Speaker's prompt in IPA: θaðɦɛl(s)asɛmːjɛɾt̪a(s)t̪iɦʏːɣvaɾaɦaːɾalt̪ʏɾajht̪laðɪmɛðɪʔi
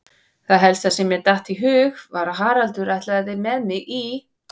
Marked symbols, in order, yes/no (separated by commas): yes, no